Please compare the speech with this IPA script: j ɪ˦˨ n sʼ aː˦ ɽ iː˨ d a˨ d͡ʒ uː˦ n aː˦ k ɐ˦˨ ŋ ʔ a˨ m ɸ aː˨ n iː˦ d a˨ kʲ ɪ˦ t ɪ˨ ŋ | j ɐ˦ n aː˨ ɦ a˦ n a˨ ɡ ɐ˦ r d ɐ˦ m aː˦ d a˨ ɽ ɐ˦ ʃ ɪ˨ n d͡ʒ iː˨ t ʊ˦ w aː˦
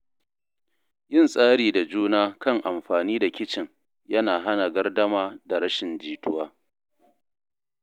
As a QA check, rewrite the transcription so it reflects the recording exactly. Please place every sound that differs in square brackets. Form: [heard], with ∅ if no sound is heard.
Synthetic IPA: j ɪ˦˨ n sʼ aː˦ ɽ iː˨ d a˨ d͡ʒ uː˦ n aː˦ k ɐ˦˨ ŋ ʔ a˨ m ɸ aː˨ n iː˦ d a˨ kʲ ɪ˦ [t͡ʃ] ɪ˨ ŋ | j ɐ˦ n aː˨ ɦ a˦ n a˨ ɡ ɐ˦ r d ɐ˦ m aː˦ d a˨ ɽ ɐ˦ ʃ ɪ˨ n d͡ʒ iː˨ t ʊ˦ w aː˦